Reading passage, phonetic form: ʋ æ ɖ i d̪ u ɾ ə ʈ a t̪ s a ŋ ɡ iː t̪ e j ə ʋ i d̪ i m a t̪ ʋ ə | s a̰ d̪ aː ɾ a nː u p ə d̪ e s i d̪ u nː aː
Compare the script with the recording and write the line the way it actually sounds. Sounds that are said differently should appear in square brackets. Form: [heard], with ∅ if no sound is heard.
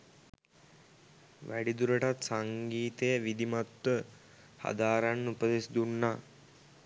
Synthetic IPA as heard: ʋ æ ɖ i d̪ u ɾ ə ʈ a t̪ s a ŋ ɡ iː t̪ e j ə ʋ i d̪ i m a t̪ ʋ ə | [h] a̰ d̪ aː ɾ a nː u p ə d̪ e s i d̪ u nː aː